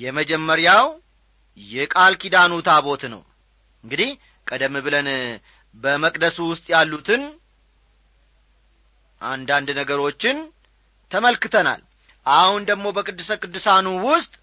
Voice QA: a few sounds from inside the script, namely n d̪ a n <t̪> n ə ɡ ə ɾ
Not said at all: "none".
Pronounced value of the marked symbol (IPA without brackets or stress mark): d̪